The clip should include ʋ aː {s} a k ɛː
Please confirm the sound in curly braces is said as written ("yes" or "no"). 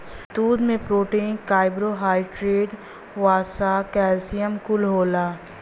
yes